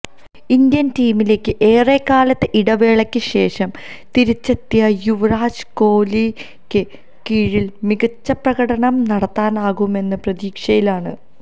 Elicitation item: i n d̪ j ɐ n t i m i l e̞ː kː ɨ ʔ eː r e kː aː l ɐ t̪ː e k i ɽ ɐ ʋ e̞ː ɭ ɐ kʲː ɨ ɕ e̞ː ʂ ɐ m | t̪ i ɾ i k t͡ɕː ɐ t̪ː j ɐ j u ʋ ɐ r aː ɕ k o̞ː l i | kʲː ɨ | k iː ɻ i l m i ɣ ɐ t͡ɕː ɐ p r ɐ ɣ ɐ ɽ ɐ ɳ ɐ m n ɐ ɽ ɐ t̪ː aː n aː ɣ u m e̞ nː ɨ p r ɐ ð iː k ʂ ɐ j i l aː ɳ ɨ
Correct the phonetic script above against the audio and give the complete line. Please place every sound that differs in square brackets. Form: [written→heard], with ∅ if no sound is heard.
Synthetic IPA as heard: i n d̪ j ɐ n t [i→iː] m i l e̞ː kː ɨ ʔ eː r e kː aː l ɐ t̪ː e [k→ʔ] i ɽ ɐ ʋ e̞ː ɭ ɐ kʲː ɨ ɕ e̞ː ʂ ɐ m | t̪ i ɾ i [k→∅] t͡ɕː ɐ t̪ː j ɐ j u ʋ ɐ r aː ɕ k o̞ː l i | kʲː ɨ | k iː ɻ i l m i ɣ ɐ t͡ɕː ɐ p r ɐ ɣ ɐ ɽ ɐ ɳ ɐ m n ɐ ɽ ɐ t̪ː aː n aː ɣ u m e̞ nː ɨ p r ɐ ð iː k ʂ ɐ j i l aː ɳ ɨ